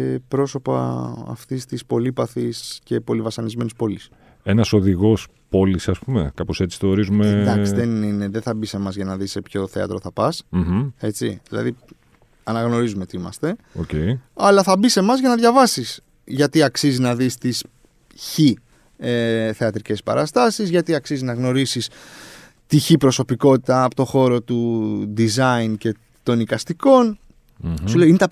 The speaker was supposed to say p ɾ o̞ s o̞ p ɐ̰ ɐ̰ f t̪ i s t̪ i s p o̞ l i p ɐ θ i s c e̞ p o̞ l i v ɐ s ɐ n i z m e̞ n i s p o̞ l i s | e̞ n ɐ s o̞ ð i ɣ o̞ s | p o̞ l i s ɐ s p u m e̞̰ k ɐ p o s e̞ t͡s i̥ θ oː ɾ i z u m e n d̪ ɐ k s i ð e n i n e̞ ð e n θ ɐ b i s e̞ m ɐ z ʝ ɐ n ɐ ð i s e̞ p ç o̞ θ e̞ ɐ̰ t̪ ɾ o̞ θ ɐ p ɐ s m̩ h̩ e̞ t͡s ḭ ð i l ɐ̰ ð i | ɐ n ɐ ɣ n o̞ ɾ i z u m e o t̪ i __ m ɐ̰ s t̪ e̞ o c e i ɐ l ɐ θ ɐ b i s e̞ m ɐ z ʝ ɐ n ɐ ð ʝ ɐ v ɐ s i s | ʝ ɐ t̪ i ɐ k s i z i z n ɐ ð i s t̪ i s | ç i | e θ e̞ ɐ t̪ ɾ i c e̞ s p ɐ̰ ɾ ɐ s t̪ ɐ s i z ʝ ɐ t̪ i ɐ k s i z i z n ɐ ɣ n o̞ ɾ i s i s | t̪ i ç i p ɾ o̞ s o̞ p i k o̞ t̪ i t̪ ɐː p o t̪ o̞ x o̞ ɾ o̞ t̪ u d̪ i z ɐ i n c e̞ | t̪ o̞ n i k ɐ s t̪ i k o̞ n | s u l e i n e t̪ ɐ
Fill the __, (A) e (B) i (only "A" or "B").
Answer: B